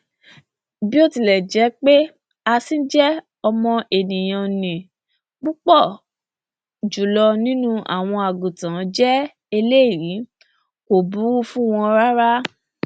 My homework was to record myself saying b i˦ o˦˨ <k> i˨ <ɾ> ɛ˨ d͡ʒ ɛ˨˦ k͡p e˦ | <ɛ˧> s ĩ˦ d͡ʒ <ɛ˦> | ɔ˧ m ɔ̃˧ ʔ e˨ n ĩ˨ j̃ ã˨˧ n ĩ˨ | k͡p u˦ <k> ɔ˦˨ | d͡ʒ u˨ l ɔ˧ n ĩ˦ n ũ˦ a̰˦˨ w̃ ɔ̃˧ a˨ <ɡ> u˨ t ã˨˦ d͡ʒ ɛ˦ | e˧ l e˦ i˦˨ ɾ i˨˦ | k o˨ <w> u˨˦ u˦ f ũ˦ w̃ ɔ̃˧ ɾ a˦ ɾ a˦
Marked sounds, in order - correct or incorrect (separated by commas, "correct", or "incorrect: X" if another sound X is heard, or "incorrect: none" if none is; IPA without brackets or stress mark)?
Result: incorrect: t, incorrect: l, incorrect: a˧, correct, incorrect: k͡p, correct, incorrect: b